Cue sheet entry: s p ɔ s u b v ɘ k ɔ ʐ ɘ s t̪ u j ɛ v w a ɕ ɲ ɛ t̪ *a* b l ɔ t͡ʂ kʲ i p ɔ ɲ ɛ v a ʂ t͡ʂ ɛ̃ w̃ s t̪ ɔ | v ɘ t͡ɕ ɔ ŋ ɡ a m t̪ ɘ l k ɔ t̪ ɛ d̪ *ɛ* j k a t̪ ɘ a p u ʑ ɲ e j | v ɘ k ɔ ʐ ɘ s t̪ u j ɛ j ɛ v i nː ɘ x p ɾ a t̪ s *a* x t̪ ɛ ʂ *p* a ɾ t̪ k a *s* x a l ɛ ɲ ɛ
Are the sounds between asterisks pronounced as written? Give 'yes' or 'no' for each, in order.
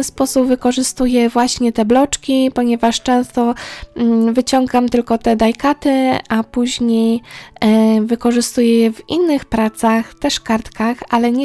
no, no, yes, no, no

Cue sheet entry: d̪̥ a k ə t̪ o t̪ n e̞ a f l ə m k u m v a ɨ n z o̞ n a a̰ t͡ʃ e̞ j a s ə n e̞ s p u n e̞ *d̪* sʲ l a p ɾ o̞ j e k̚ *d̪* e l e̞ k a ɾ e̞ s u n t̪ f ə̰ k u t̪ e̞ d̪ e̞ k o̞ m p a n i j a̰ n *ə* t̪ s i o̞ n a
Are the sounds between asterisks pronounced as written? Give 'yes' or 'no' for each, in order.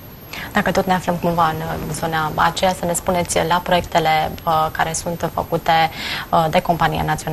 no, no, no

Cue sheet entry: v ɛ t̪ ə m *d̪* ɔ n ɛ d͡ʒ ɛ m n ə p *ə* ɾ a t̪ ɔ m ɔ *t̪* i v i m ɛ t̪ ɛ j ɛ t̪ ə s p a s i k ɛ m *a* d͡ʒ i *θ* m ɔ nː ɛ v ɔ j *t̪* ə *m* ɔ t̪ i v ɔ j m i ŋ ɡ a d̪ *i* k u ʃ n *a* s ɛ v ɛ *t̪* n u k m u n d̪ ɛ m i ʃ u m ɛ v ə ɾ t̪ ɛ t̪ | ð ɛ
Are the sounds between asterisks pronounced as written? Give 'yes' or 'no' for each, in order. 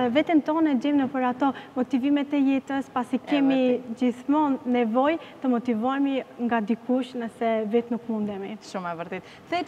no, yes, yes, no, yes, yes, yes, yes, no, yes

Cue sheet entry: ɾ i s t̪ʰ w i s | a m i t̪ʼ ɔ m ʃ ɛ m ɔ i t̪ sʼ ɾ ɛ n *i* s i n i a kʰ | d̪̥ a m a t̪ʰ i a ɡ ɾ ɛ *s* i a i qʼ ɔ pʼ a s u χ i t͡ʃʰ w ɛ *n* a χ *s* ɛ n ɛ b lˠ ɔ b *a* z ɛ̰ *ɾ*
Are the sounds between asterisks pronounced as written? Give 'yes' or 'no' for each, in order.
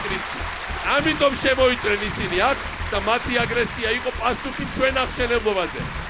yes, yes, yes, no, yes, no

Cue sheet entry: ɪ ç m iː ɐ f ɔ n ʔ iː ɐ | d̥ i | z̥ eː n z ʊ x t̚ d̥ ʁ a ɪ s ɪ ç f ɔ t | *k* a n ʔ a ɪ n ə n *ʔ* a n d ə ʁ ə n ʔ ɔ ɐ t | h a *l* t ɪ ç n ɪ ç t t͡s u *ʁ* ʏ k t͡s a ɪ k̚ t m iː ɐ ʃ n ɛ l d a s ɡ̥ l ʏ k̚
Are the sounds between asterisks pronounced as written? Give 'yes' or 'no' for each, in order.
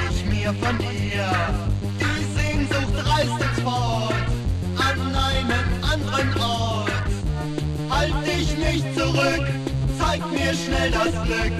no, yes, yes, yes

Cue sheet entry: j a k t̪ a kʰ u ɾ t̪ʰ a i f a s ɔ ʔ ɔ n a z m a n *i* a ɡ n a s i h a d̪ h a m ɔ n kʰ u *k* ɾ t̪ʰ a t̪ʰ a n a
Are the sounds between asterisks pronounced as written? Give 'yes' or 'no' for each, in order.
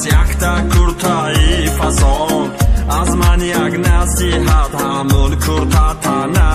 no, no

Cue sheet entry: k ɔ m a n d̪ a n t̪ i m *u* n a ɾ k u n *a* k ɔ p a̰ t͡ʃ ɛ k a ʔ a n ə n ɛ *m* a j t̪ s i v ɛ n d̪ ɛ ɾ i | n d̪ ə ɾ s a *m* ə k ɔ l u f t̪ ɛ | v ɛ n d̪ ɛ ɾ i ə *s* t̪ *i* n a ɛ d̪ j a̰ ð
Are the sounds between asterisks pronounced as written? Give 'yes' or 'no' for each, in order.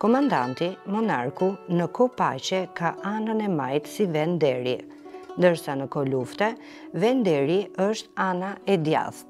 no, no, yes, no, no, no

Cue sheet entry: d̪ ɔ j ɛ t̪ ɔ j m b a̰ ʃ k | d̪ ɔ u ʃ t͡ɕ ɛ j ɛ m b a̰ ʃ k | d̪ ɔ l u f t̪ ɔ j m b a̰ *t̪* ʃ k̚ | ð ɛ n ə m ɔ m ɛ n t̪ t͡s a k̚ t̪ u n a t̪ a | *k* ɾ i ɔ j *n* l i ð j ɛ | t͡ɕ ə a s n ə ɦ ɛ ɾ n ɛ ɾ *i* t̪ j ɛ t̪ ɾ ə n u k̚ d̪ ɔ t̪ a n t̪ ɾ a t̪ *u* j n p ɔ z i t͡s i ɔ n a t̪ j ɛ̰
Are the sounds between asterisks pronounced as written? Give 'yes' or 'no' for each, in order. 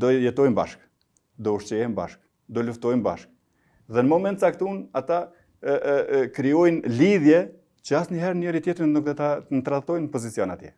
no, yes, yes, yes, no

